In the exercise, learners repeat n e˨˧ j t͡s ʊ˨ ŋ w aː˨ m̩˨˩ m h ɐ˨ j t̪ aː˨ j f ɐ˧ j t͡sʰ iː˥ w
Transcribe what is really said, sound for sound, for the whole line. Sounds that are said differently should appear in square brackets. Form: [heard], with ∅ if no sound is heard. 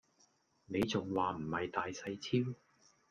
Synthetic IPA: n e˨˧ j t͡s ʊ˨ ŋ w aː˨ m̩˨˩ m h ɐ˨ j t̪ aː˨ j [s] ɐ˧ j t͡sʰ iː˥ w